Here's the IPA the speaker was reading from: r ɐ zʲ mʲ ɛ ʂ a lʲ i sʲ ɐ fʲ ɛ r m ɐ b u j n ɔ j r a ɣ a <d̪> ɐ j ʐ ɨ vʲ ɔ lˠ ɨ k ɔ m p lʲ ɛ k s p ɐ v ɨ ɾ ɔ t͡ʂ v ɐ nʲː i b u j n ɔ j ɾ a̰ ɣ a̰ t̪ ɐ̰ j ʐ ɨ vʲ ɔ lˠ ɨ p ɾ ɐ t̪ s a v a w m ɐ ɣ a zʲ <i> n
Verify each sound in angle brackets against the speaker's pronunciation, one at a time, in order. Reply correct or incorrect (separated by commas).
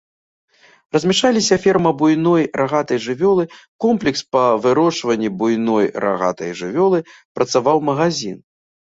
incorrect, correct